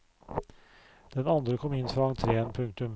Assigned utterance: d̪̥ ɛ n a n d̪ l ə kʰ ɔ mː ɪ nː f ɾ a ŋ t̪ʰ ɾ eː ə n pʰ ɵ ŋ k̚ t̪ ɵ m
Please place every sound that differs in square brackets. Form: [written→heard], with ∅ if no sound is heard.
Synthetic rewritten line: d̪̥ ɛ n a n d̪ [l→ɾ] ə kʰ ɔ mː ɪ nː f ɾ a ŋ t̪ʰ ɾ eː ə n pʰ ɵ ŋ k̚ t̪ ɵ m

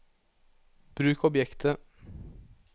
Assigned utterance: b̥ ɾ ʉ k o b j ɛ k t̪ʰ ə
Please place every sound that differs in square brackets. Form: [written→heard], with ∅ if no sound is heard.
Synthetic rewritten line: b̥ ɾ [ʉ→ʉː] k [o→ɔ] b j ɛ k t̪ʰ ə

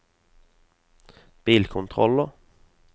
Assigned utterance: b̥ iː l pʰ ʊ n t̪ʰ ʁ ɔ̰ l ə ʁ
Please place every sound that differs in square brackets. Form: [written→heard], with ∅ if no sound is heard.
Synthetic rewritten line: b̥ iː l [pʰ→kʰ] ʊ n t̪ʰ ʁ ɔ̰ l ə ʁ

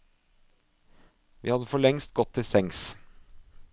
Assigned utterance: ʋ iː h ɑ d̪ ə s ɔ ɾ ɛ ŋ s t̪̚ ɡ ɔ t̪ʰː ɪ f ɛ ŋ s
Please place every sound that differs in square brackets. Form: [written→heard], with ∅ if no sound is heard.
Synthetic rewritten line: ʋ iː h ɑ d̪ ə [s→f] ɔ [ɾ→ɭ] ɛ ŋ s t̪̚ ɡ ɔ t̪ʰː ɪ [f→s] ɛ ŋ s

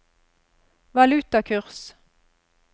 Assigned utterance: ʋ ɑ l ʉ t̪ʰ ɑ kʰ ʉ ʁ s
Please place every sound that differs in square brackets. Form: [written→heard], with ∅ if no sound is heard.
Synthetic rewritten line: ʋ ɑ l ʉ [t̪ʰ→t̪] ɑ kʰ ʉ ʁ s

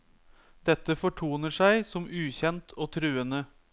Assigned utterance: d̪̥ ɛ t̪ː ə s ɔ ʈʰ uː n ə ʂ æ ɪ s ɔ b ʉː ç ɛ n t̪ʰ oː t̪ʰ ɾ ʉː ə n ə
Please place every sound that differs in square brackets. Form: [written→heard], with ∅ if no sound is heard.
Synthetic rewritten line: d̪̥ ɛ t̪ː ə [s→f] ɔ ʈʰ uː n ə ʂ æ ɪ s ɔ [b→m] ʉː ç ɛ n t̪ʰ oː t̪ʰ ɾ ʉː ə n ə

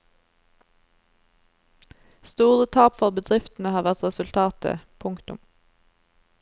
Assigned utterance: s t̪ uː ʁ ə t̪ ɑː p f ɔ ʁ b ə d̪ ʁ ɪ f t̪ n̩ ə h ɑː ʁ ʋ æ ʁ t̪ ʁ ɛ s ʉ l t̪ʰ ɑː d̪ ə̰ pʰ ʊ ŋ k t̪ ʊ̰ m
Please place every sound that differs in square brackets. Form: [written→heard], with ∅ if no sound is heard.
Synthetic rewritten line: s t̪ uː ʁ ə [t̪→t̪ʰ] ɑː p f ɔ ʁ b ə d̪ ʁ ɪ f t̪ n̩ ə h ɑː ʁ ʋ æ ʁ t̪ ʁ ɛ s ʉ l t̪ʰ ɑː [d̪→t̪] ə̰ pʰ ʊ ŋ k t̪ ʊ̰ m

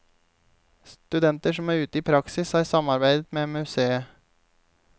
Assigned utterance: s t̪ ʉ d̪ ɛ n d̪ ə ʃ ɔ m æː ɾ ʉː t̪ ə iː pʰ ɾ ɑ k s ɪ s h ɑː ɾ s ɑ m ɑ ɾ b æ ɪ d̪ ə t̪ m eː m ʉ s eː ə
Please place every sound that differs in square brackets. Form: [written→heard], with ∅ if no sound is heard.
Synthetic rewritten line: s t̪ ʉ d̪ ɛ n [d̪→t̪] ə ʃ ɔ m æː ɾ ʉː t̪ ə iː pʰ ɾ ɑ k s ɪ s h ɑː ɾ s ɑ m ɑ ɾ b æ ɪ d̪ ə t̪ m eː m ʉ s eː ə

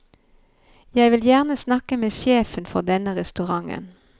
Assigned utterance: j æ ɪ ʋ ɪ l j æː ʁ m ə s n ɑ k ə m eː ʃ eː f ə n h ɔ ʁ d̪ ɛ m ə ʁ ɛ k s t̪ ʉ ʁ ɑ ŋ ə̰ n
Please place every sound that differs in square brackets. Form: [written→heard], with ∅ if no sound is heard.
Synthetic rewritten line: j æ ɪ ʋ ɪ l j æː ʁ [m→n] ə s n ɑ k ə m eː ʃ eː f ə n [h→f] ɔ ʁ d̪ ɛ [m→n] ə ʁ ɛ [k→∅] s t̪ ʉ ʁ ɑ ŋ ə̰ n

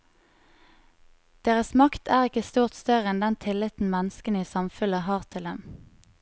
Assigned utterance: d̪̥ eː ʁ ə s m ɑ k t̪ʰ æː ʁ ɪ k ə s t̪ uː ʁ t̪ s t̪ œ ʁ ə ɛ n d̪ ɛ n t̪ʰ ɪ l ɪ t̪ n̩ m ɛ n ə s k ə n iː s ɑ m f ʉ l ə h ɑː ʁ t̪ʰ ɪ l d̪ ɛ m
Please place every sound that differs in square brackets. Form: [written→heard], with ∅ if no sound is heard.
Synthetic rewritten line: d̪̥ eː ʁ ə s m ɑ k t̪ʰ æː ʁ ɪ k ə s t̪ uː ʁ t̪ s t̪ œ ʁ ə ɛ n d̪ ɛ n t̪ʰ ɪ l ɪ t̪ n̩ m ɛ n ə s k ə n iː s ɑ m f ʉ l ə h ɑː ʁ t̪ʰ ɪ l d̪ ɛ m

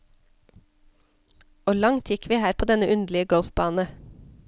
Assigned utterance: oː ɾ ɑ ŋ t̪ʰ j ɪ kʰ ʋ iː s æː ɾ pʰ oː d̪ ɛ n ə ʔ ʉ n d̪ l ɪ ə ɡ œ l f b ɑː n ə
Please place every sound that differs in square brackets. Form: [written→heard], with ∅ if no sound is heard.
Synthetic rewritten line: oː [ɾ→l] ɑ ŋ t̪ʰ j ɪ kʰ ʋ iː [s→h] æː ɾ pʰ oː d̪ ɛ n ə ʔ ʉ n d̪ l ɪ ə ɡ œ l f b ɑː n ə

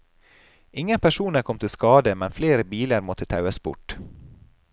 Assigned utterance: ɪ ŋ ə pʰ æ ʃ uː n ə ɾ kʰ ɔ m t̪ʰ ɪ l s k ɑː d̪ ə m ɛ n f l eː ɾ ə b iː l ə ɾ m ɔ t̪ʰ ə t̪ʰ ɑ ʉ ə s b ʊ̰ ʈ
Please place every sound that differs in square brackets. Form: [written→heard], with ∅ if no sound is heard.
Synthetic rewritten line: ɪ ŋ ə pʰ æ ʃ uː n ə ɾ kʰ ɔ m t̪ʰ ɪ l s k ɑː d̪ ə m ɛ n f l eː ɾ ə b iː l ə ɾ m ɔ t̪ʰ ə t̪ʰ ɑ ʉ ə s b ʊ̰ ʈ

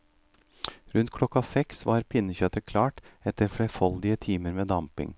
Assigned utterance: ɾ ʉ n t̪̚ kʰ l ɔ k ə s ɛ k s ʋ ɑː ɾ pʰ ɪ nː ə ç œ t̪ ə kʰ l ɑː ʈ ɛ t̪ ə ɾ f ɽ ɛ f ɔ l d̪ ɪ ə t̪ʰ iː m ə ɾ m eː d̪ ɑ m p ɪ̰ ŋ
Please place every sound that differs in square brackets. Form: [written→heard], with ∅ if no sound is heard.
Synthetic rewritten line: ɾ ʉ n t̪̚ kʰ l ɔ k [ə→ɑ] s ɛ k s ʋ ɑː ɾ pʰ ɪ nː ə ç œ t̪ ə kʰ l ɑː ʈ ɛ t̪ ə ɾ f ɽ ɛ f ɔ l d̪ ɪ ə t̪ʰ iː m ə ɾ m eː d̪ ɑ m p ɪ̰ ŋ

